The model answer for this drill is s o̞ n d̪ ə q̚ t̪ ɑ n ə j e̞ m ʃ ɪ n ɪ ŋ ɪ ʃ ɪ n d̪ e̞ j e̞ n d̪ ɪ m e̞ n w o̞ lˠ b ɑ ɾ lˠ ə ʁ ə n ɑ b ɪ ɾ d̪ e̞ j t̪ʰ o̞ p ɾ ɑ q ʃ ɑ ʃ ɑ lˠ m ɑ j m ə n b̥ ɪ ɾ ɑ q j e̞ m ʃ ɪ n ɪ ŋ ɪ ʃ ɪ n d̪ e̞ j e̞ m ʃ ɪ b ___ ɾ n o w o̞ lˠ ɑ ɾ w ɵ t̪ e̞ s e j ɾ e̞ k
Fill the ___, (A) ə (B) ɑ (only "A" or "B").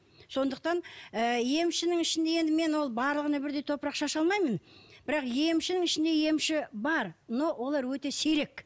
B